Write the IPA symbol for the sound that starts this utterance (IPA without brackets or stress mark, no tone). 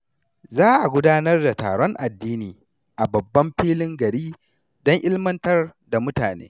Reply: z